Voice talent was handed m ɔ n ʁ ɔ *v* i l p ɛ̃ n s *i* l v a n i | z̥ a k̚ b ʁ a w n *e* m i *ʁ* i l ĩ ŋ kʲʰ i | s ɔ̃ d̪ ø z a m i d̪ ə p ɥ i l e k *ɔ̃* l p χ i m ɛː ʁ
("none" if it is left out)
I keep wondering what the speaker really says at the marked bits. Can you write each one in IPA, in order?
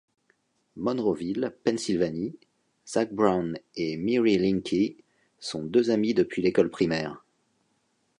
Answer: v, i, e, ʁ, ɔ

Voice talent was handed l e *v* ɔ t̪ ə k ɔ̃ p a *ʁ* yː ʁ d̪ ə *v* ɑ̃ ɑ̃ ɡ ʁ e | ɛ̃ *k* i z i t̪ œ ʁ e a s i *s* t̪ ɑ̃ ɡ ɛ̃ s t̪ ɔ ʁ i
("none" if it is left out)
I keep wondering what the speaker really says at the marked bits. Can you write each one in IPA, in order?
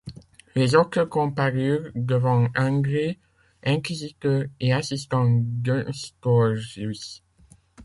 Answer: z, ʁ, v, k, s

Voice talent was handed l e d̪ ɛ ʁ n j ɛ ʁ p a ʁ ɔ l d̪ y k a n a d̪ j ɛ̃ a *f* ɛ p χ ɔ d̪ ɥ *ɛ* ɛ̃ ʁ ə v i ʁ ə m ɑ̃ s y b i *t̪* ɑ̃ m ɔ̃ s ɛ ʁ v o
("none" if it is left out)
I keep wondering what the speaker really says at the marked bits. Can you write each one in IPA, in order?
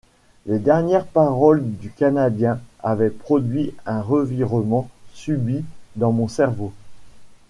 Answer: v, i, d̪

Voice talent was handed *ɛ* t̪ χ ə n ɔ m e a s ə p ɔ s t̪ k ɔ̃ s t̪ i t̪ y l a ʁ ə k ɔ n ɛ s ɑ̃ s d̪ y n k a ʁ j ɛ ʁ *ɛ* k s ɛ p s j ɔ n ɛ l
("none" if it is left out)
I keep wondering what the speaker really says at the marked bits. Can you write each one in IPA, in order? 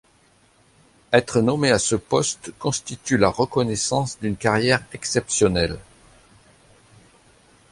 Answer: ɛ, ɛ

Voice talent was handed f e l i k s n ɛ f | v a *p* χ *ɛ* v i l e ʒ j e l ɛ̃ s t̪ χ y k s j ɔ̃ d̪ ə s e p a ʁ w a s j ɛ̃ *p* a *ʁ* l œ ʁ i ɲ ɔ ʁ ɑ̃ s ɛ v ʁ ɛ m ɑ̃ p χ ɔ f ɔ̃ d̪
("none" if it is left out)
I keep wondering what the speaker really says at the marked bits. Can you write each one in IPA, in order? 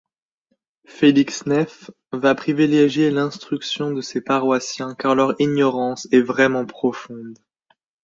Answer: p, i, k, ʁ

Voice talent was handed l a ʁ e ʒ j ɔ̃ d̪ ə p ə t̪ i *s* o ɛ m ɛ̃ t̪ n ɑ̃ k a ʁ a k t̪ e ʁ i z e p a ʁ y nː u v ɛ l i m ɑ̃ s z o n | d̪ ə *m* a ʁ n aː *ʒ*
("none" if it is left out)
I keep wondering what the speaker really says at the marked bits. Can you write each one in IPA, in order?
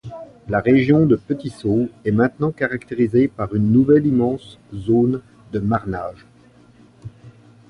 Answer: s, m, ʒ

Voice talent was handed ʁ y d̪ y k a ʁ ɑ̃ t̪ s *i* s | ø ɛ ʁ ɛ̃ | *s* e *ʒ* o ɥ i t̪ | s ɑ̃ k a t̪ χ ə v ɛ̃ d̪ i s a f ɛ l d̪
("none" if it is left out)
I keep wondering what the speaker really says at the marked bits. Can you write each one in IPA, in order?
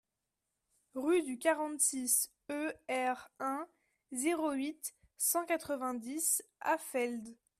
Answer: i, z, ʁ

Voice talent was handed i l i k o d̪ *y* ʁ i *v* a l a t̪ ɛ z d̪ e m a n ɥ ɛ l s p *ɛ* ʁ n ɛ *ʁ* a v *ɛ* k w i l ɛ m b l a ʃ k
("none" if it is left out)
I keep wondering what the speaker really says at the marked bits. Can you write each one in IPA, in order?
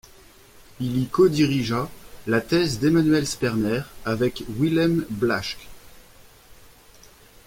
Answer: i, ʒ, ɛ, ʁ, ɛ

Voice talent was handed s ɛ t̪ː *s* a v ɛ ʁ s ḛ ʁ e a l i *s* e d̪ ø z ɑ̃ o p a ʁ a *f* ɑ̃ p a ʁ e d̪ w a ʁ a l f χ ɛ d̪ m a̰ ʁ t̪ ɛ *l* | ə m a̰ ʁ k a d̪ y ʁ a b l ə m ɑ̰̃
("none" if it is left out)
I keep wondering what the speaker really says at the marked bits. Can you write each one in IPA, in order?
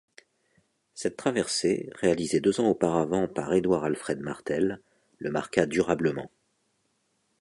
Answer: χ, z, v, lː

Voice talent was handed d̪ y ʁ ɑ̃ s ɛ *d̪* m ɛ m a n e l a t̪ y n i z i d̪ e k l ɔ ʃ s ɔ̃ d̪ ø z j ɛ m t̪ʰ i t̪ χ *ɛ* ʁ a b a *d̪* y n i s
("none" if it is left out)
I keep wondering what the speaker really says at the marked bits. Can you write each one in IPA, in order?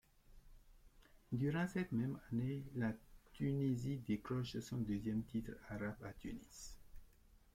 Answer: t̪, a, t̪

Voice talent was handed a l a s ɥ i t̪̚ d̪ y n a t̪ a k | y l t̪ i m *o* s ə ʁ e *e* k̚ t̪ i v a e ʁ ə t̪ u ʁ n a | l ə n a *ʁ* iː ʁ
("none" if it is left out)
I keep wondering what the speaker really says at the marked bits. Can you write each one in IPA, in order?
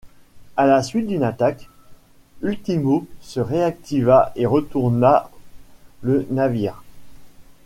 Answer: o, a, v

